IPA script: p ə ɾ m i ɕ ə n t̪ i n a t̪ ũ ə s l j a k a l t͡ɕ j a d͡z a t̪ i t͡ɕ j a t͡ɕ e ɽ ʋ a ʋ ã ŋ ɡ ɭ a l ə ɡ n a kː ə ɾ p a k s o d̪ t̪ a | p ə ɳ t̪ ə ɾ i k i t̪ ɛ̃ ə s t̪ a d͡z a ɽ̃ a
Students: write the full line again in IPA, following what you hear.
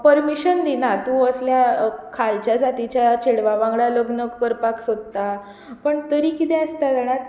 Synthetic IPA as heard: p ə ɾ m i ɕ ə n d̪ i n a t̪ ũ ə s l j a kʰ a l t͡ɕ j a d͡z a t̪ i t͡ɕ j a t͡ɕ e ɽ ʋ a ʋ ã ŋ ɡ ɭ a l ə ɡ n ə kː ə ɾ p a k s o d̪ t̪ a | p ə ɳ t̪ ə ɾ i k i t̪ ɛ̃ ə s t̪ a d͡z a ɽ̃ a